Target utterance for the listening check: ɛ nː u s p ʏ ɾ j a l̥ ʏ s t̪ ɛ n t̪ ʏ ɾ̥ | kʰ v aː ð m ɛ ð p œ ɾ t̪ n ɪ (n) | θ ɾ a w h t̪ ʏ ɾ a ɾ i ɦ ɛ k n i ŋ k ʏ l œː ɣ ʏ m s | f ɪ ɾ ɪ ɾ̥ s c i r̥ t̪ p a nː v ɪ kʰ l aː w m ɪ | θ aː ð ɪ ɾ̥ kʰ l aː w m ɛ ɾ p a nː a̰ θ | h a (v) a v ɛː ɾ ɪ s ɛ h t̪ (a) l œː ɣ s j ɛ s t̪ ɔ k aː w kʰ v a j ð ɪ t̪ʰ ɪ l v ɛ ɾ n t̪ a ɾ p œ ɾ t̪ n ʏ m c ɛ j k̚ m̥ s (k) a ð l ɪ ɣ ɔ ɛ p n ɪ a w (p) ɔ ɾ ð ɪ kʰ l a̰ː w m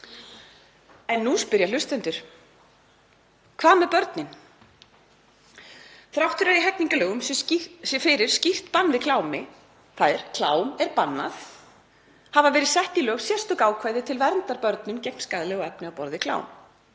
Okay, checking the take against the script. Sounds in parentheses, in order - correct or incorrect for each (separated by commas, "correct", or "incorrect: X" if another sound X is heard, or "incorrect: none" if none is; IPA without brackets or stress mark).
correct, correct, incorrect: i, correct, correct